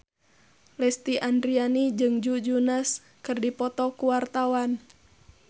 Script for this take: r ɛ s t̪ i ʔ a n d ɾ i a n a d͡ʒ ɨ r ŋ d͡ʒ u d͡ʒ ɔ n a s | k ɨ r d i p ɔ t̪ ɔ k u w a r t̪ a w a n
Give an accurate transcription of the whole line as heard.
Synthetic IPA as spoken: l ɛ s t̪ i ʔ a n d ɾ i a n i d͡ʒ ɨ ŋ d͡ʒ u d͡ʒ u n a s | k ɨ r d i p ɔ t̪ ɔ k u w a r t̪ a w a n